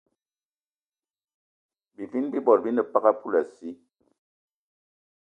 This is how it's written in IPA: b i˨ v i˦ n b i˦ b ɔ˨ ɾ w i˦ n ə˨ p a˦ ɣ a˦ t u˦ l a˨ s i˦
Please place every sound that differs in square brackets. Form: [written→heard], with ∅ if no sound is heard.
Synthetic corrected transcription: b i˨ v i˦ n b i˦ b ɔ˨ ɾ [w→b] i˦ n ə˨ p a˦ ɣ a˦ [t→p] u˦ l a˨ s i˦